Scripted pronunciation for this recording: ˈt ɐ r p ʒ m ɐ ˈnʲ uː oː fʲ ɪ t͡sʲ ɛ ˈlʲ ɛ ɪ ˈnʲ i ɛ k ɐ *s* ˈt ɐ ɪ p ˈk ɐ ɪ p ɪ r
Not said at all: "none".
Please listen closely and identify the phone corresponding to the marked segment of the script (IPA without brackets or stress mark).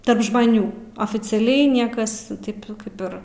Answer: s